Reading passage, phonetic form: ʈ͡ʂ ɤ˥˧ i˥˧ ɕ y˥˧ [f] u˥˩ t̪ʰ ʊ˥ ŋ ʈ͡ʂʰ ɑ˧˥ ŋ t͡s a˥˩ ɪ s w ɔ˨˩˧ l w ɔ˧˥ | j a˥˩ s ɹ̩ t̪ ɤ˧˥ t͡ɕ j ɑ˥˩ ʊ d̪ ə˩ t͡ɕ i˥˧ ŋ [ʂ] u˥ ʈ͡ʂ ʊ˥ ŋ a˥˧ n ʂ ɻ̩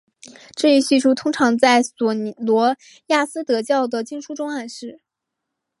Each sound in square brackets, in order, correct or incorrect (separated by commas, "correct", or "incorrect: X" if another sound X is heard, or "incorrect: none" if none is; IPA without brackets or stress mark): incorrect: ʂ, correct